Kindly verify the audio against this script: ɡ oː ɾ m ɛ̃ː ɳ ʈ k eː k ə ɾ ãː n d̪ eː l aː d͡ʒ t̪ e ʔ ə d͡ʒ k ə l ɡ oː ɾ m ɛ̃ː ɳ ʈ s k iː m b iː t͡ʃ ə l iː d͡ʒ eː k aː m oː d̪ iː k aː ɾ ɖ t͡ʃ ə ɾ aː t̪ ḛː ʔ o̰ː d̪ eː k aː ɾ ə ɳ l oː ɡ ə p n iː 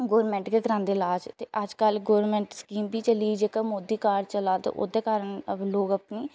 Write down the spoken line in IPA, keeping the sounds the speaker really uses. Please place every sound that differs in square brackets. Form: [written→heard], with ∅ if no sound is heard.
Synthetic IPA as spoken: ɡ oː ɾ m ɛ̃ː ɳ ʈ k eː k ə ɾ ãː n d̪ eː l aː d͡ʒ t̪ e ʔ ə d͡ʒ k ə l ɡ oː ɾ m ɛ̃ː ɳ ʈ s k iː m b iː t͡ʃ ə l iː d͡ʒ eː k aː m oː d̪ iː k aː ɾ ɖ t͡ʃ ə [ɾ→l] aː t̪ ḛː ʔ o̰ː d̪ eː k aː ɾ ə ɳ l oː ɡ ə p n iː